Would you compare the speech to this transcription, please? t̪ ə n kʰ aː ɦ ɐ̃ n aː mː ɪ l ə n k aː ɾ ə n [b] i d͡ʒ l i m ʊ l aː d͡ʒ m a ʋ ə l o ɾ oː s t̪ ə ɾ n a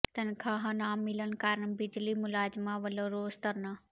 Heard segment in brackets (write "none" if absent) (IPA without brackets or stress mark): b